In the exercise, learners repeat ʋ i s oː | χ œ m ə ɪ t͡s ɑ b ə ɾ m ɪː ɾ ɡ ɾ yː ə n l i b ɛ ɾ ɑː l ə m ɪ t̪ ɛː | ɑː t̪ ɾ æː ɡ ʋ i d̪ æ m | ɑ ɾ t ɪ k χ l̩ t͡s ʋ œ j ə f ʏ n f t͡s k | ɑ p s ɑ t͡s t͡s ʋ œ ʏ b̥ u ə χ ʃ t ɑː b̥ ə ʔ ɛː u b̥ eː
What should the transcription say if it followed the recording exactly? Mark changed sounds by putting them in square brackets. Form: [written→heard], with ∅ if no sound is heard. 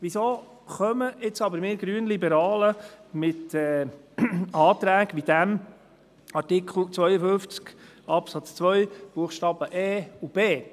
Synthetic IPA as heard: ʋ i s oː | χ œ m ə ɪ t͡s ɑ b ə ɾ m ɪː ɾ ɡ ɾ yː ə n l i b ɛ ɾ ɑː l ə m ɪ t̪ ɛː | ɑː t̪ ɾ æː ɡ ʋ i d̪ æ m | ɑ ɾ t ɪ k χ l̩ t͡s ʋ œ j ə f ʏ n f t͡s k | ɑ p s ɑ t͡s t͡s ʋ œ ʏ b̥ u ə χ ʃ t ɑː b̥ ə ʔ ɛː u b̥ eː